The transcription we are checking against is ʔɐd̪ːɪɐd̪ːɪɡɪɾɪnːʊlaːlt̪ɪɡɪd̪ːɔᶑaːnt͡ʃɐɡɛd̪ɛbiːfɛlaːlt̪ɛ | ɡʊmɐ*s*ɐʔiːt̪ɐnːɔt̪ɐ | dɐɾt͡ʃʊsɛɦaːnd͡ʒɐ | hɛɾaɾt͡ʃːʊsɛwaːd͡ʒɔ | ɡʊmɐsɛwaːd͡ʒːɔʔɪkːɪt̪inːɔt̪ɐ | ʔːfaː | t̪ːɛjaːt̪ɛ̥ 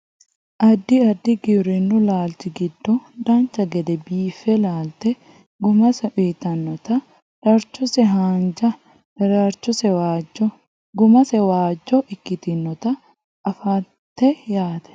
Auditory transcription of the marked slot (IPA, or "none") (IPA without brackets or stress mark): s